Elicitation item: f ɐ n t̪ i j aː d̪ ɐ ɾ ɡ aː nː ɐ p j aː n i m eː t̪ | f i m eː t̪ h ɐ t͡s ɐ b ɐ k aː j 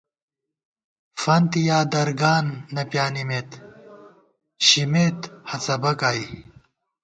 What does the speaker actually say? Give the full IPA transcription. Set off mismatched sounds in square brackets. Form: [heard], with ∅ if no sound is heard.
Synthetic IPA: f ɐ n t̪ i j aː d̪ ɐ ɾ ɡ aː nː ɐ p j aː n i m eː t̪ | [ɕ] i m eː t̪ h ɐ t͡s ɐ b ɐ k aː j